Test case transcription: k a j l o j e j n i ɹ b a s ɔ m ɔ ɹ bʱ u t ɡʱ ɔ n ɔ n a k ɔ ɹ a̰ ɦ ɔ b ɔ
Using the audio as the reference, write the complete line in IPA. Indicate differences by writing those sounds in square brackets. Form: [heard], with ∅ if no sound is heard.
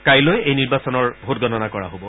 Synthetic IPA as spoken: k a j l o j e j n i ɹ b a s ɔ [n] ɔ ɹ bʱ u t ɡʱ ɔ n ɔ n a k ɔ ɹ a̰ ɦ [o] b ɔ